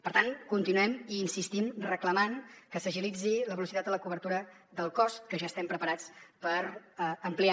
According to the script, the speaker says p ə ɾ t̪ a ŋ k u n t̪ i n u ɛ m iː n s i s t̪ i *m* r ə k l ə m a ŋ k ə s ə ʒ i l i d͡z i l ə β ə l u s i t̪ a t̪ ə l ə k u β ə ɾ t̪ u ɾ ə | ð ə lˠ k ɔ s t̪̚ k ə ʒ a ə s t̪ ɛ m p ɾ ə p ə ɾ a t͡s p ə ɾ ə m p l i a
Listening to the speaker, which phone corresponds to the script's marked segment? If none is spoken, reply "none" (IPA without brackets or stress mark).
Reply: m